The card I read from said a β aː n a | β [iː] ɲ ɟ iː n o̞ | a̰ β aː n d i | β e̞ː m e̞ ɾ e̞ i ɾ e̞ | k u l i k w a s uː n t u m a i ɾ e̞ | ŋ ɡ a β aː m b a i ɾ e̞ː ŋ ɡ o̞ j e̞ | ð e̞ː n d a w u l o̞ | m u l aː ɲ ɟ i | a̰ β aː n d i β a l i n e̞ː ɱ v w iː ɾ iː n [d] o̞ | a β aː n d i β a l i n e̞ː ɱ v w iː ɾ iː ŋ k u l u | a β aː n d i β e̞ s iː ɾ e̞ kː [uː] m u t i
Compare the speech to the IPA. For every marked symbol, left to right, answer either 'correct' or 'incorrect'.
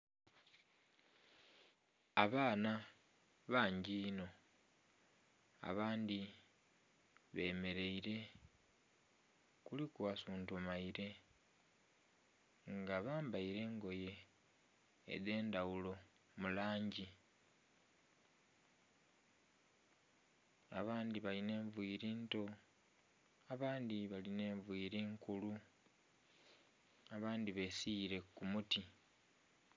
incorrect, incorrect, incorrect

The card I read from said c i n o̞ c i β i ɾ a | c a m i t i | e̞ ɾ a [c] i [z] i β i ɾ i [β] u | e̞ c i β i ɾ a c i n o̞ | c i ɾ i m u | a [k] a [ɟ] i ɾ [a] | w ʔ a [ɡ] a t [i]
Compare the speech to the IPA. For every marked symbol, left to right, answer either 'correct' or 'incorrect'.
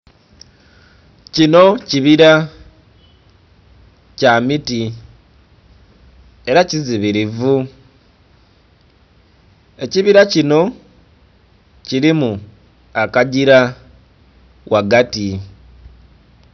correct, correct, incorrect, correct, correct, correct, correct, correct

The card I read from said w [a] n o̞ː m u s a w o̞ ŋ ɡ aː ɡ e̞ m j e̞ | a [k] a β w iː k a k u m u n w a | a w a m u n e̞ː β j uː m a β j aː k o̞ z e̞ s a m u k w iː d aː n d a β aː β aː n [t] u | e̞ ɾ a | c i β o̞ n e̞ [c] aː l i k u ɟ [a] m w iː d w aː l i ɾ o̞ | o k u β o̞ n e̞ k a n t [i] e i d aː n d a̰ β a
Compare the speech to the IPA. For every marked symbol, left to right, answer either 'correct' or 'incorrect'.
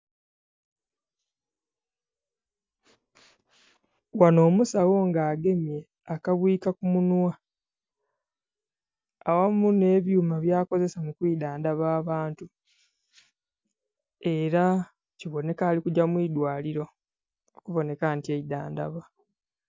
correct, correct, correct, incorrect, correct, correct

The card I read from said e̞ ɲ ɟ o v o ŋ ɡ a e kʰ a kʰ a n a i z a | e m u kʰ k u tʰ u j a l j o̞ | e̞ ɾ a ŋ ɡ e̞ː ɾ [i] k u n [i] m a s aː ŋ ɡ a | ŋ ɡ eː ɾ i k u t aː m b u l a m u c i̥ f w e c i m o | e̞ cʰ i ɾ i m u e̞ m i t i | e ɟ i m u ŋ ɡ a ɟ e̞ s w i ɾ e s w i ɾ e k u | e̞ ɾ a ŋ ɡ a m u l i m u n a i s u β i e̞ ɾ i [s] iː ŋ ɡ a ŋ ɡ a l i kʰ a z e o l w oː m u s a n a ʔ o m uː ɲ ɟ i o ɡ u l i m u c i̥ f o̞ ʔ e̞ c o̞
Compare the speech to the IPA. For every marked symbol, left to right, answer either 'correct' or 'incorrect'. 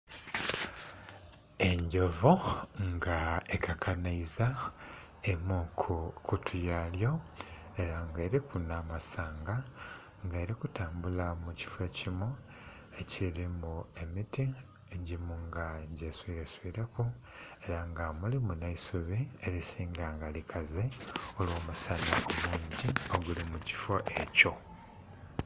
correct, incorrect, correct

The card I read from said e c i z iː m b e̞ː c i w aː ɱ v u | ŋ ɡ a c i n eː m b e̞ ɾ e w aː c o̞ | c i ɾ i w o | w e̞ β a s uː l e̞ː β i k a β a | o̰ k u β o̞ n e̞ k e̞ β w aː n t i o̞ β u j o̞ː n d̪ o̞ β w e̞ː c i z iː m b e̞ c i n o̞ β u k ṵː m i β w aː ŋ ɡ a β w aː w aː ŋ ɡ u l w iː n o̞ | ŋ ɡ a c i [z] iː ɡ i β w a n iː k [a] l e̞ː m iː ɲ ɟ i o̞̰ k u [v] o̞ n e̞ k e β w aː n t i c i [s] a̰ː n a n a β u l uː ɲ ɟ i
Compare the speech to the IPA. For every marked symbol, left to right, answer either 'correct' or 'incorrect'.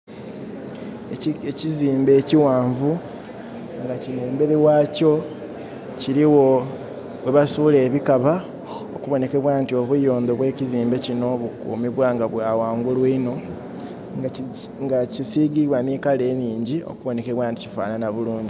incorrect, correct, incorrect, incorrect

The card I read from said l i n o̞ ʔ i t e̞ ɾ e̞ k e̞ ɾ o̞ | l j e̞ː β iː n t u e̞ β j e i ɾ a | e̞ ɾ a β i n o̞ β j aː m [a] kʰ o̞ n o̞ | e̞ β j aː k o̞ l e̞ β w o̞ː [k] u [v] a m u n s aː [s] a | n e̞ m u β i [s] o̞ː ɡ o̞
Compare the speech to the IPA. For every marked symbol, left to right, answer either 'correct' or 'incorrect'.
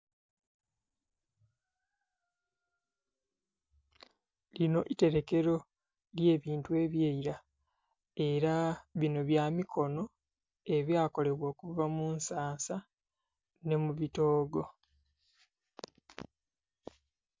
incorrect, correct, correct, correct, incorrect

